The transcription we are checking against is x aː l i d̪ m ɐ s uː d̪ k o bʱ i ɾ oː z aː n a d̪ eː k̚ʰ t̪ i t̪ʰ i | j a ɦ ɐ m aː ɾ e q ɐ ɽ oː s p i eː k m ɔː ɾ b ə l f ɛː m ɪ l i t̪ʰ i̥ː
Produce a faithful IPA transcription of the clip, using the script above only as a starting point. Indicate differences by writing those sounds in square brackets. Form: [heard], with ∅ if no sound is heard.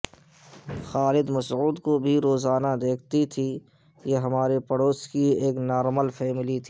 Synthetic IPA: x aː l [ɪ] d̪ m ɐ s uː d̪ k o bʱ i ɾ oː z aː n a d̪ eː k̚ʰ t̪ i t̪ʰ i | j [e] ɦ ɐ m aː ɾ e [p] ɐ ɽ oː s [k] i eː k [n] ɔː ɾ [m] ə l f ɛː m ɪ l i t̪ʰ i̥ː